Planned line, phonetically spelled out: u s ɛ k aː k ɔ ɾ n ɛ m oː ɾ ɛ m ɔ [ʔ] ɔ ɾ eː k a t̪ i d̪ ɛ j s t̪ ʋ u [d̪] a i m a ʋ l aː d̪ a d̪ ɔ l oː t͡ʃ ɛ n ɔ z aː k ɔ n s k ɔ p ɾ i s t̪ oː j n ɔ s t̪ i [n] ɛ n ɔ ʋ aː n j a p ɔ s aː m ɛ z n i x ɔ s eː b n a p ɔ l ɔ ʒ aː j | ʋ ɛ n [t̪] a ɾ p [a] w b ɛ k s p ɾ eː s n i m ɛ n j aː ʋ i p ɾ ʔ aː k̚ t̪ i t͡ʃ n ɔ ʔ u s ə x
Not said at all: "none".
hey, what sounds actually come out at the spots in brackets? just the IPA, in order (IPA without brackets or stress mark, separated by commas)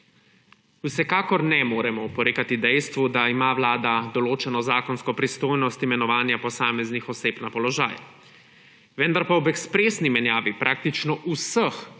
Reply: p, d̪, m, d̪, a